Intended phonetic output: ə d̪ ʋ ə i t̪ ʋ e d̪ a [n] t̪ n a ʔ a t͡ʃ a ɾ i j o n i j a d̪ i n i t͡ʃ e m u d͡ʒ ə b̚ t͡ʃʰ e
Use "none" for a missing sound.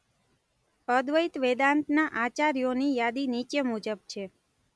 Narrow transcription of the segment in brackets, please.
n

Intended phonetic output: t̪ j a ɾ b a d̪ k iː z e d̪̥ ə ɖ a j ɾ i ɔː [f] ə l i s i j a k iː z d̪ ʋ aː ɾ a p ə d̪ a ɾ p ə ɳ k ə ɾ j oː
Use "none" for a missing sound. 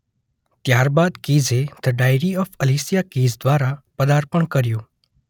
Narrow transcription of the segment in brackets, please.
f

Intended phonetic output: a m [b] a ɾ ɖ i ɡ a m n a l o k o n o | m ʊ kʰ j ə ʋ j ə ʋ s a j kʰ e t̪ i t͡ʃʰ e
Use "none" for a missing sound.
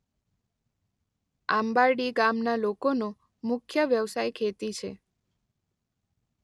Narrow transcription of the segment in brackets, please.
b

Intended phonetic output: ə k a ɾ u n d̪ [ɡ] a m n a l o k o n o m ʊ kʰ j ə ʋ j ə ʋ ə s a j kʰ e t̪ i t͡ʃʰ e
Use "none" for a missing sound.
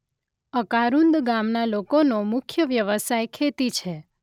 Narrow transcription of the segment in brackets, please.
ɡ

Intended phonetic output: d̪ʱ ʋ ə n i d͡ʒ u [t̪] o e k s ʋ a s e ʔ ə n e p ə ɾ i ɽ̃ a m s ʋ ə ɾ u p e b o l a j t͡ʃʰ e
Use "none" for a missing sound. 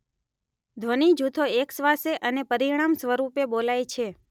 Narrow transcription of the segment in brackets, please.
t̪ʰ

